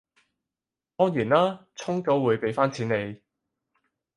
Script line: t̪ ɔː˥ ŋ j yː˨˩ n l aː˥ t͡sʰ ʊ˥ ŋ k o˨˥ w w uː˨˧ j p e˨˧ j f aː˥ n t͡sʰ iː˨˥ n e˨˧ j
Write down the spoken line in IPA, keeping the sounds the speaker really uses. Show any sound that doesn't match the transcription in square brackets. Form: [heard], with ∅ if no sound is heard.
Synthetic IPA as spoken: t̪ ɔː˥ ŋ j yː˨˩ n l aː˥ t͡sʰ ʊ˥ ŋ k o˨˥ w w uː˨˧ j p e˨˧ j f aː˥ n t͡sʰ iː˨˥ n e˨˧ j